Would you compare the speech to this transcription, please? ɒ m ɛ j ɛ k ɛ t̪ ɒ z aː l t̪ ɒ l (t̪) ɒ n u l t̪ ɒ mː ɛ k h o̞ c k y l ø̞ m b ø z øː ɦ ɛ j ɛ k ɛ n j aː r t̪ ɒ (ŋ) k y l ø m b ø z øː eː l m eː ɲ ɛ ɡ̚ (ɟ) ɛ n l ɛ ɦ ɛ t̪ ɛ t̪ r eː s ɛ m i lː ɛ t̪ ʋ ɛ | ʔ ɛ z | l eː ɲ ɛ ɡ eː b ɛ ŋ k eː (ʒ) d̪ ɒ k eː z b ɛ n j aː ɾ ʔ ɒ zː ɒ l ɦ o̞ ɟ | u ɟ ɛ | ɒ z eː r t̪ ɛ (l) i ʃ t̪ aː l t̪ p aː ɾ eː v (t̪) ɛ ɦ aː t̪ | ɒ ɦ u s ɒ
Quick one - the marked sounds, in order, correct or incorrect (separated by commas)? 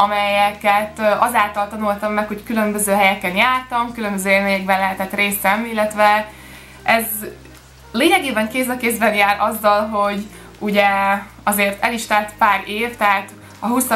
correct, incorrect, incorrect, incorrect, correct, correct